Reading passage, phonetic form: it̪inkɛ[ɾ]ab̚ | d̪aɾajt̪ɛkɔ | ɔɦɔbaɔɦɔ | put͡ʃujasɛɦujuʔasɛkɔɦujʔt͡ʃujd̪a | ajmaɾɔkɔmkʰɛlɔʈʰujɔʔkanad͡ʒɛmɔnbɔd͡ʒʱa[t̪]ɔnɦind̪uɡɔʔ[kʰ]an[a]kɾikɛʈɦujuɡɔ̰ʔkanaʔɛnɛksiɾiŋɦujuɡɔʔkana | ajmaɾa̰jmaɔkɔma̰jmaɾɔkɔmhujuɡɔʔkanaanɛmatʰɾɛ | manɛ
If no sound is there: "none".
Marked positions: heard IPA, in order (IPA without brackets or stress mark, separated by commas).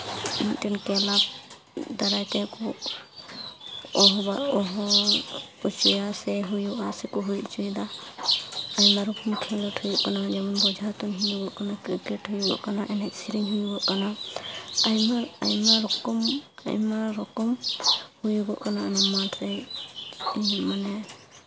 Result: l, t̪, k, a